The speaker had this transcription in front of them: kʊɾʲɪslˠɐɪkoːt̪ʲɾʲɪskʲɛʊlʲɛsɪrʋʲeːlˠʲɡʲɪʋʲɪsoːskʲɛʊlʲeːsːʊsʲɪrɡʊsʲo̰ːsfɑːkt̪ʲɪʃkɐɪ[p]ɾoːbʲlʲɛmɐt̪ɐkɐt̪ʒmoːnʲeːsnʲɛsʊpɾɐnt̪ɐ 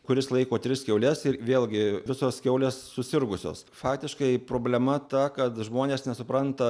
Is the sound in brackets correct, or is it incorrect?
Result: correct